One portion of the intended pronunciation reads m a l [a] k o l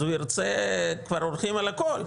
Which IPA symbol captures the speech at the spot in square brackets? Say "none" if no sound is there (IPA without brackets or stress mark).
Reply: a